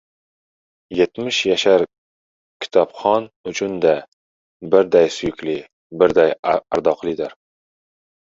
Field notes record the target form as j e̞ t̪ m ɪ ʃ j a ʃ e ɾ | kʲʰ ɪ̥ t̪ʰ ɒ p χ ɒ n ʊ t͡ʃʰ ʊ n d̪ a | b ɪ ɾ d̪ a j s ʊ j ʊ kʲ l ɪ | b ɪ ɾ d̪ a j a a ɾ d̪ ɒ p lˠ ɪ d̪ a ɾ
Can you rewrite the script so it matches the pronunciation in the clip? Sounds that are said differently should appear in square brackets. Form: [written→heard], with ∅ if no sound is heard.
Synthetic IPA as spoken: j e̞ t̪ m ɪ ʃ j a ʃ [e→a] ɾ | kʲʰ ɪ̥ t̪ʰ ɒ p χ ɒ n ʊ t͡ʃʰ ʊ n d̪ a | b ɪ ɾ d̪ a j s ʊ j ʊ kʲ l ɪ | b ɪ ɾ d̪ a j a a ɾ d̪ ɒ [p→q] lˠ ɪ d̪ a ɾ